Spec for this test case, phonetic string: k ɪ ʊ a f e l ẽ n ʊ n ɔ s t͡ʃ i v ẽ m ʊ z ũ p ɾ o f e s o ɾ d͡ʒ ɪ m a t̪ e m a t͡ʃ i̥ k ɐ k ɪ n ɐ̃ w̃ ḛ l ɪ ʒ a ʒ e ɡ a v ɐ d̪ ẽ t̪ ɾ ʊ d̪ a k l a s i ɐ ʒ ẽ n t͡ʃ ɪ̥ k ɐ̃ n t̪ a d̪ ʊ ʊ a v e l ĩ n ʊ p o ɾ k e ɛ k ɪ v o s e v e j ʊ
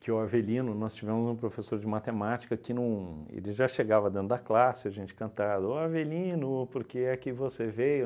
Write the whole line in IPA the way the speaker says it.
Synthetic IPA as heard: k ɪ ʊ a v e l ĩ n ʊ n ɔ s t͡ʃ i v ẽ m ʊ z ũ p ɾ o f e s o ɾ d͡ʒ ɪ m a t̪ e m a t͡ʃ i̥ k ɐ k ɪ n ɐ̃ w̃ ḛ l ɪ ʒ a ʃ e ɡ a v ɐ d̪ ẽ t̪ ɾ ʊ d̪ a k l a s ɪ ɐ ʒ ẽ n t͡ʃ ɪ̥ k ɐ̃ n t̪ a d̪ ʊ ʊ a v e l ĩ n ʊ p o ɾ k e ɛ k ɪ v o s e v e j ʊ